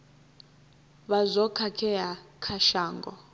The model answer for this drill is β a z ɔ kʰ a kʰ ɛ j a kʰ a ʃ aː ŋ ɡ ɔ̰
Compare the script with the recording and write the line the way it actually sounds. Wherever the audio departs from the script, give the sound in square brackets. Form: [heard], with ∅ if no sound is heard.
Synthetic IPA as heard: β a z ɔ kʰ a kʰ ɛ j a kʰ a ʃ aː ŋ ɡ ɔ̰